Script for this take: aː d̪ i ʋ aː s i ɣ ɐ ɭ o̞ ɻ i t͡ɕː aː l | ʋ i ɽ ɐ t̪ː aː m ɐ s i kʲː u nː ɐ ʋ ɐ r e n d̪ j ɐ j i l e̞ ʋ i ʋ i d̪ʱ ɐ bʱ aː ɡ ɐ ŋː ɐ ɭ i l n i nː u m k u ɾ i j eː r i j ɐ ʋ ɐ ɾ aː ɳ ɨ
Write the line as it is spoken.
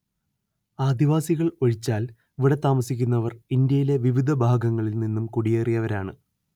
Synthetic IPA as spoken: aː d̪ i ʋ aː s i ɣ ɐ ɭ o̞ ɻ i t͡ɕː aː l | ʋ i ɽ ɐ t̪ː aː m ɐ s i kʲː u nː ɐ ʋ ɐ r i n d̪ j ɐ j i l e̞ ʋ i ʋ i d̪ʱ ɐ bʱ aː ɡ ɐ ŋː ɐ ɭ i l n i nː u m k u ɽ i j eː r i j ɐ ʋ ɐ ɾ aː ɳ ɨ